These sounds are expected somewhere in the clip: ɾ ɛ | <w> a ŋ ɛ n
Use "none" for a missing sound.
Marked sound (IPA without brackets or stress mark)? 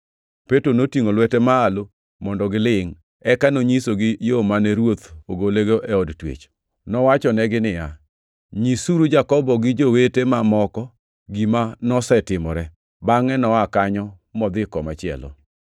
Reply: b